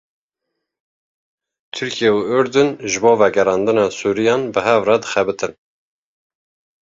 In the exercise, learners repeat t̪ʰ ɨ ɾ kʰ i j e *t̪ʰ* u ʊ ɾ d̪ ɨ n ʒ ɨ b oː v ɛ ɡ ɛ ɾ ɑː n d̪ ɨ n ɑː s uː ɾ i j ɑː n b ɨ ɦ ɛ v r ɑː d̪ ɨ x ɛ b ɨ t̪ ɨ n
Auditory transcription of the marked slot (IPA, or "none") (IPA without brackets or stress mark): none